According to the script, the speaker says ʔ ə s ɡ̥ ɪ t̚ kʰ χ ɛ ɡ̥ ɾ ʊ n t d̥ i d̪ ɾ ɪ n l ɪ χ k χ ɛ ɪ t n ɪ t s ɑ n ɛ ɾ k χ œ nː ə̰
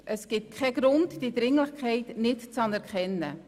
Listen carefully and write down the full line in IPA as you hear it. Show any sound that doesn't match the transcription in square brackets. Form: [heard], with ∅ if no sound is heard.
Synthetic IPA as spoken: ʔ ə s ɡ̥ ɪ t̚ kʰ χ ɛ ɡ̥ ɾ ʊ n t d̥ i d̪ ɾ ɪ [ŋ] l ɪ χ k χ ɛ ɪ t n ɪ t [t͡s] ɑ n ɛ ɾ k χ [ɛ] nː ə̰